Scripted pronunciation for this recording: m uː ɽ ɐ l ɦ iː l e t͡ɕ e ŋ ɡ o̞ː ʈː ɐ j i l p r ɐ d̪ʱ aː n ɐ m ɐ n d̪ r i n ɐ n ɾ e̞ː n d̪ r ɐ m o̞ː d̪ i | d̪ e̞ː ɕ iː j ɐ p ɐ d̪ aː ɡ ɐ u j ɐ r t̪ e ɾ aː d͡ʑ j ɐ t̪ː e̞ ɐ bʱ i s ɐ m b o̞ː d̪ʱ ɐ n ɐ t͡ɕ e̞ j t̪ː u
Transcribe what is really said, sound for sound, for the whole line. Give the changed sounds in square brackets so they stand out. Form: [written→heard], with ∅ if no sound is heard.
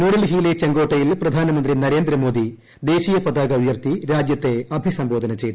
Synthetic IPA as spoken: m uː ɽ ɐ l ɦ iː l e t͡ɕ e ŋ ɡ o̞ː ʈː ɐ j i l p r ɐ d̪ʱ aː n ɐ m ɐ n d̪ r i n ɐ [n→∅] ɾ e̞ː n d̪ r ɐ m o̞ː d̪ i | d̪ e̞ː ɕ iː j ɐ p ɐ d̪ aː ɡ ɐ u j ɐ r t̪ [e→i] ɾ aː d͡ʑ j ɐ t̪ː e̞ ɐ bʱ i s ɐ m b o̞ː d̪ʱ ɐ n ɐ t͡ɕ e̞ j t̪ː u